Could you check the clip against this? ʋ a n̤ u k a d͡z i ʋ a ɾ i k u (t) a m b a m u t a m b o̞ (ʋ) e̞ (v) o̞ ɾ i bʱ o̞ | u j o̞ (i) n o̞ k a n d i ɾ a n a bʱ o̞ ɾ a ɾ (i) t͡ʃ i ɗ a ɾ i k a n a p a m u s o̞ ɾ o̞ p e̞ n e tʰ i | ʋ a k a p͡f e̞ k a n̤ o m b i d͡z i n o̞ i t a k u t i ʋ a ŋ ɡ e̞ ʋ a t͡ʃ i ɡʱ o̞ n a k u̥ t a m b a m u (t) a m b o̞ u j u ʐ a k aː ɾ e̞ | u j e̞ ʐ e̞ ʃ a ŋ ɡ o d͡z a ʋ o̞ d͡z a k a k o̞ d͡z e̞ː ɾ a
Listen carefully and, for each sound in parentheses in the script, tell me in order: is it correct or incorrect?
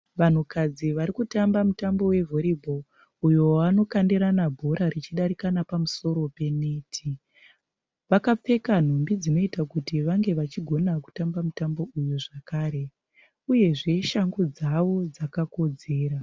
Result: correct, incorrect, correct, incorrect, correct, correct

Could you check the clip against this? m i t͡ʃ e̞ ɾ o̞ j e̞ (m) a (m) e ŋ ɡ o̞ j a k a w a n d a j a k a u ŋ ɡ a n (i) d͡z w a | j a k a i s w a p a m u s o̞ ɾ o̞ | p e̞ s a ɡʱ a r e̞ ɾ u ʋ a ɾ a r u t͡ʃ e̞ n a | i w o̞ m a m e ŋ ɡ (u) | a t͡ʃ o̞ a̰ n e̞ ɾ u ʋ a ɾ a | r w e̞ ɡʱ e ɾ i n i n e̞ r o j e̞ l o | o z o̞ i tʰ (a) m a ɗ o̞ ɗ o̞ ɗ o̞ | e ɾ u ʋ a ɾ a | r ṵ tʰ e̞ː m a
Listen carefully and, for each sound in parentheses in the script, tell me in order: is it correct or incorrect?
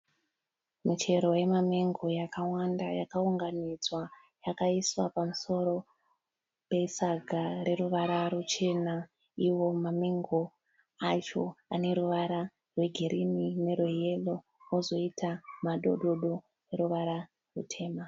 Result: correct, correct, correct, incorrect, correct

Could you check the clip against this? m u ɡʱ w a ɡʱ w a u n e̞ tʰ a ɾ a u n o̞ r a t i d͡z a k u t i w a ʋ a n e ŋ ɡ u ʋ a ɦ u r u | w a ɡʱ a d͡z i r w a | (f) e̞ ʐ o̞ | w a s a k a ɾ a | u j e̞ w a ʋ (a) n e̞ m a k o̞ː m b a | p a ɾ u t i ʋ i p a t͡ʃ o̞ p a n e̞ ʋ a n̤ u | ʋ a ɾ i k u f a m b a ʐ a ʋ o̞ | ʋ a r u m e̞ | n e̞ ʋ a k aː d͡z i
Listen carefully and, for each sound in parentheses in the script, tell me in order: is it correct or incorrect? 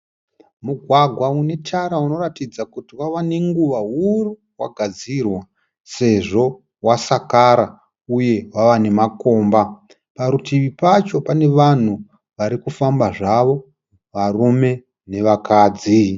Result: incorrect, correct

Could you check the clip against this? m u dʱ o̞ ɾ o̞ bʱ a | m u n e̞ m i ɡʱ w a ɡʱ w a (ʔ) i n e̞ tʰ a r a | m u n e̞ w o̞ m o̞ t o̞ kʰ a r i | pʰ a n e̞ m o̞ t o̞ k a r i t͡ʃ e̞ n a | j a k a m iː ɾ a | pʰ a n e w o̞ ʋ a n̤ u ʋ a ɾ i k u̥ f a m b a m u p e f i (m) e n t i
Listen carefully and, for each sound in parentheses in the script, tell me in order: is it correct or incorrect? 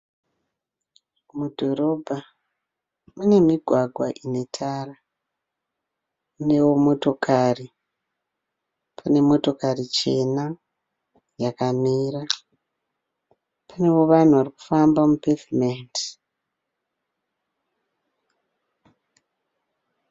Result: correct, correct

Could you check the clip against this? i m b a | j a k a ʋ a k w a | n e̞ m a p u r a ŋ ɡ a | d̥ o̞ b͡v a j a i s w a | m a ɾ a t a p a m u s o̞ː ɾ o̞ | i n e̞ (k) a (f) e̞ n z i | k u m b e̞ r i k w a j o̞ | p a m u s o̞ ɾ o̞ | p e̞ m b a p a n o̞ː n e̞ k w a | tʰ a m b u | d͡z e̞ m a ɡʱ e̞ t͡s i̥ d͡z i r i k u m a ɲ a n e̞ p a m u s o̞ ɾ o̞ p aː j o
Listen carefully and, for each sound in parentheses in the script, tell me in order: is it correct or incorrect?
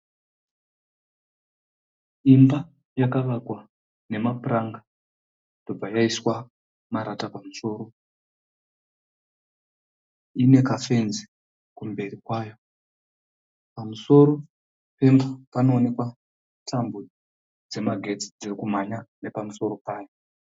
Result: correct, correct

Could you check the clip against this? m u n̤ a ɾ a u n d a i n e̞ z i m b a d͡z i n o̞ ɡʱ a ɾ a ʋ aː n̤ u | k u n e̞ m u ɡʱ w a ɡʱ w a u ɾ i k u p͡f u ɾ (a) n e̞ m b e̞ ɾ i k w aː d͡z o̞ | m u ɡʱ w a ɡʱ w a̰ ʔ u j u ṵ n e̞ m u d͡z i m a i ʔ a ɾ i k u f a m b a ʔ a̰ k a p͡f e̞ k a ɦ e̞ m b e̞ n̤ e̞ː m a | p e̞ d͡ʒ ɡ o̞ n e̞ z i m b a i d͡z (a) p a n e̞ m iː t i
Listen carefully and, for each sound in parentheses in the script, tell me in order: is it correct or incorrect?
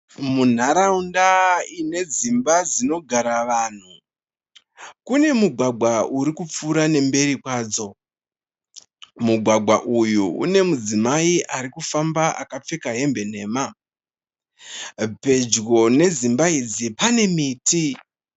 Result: correct, incorrect

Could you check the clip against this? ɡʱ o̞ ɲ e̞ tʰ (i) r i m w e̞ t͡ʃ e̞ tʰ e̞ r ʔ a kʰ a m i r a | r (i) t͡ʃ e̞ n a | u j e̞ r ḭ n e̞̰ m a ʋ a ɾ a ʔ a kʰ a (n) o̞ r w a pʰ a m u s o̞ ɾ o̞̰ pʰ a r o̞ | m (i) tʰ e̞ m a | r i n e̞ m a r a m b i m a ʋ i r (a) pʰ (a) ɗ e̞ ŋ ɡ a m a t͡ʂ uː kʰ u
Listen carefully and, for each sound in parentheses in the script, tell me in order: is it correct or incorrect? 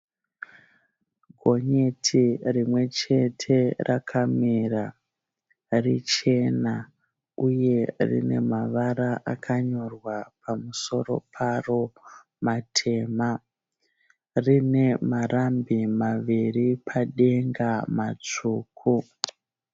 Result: correct, correct, incorrect, incorrect, incorrect, correct

